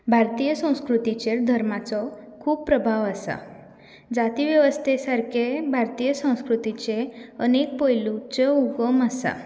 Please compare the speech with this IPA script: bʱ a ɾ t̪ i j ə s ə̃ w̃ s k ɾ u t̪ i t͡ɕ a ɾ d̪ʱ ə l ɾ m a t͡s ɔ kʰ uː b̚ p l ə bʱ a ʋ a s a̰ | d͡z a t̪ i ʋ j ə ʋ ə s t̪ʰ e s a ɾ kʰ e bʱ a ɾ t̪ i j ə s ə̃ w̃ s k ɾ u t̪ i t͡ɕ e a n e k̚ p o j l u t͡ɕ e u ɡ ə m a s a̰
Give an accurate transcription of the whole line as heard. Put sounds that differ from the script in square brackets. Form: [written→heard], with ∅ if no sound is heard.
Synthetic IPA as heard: bʱ a ɾ t̪ i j ə s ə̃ w̃ s k ɾ u t̪ i t͡ɕ [a→e] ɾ d̪ʱ ə [l→∅] ɾ m a t͡s ɔ kʰ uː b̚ p [l→ɾ] ə bʱ a ʋ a s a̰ | d͡z a t̪ i ʋ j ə ʋ ə s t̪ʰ e s a ɾ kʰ e bʱ a ɾ t̪ i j ə s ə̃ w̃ s k ɾ u t̪ i t͡ɕ e [a→ə] n e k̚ p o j l u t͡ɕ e u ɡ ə m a s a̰